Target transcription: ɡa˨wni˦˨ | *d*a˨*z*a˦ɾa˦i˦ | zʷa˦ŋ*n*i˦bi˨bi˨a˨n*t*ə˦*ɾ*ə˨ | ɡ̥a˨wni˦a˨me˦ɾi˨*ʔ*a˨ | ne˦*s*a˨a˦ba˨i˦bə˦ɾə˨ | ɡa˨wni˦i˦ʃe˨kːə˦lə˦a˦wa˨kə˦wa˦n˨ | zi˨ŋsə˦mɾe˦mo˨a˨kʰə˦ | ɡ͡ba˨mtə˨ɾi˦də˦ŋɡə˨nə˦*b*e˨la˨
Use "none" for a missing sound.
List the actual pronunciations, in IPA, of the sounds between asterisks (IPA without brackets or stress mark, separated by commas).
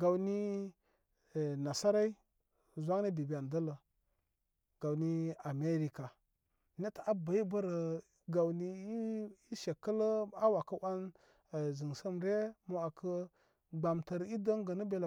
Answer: n, s, n, d, l, k, t, b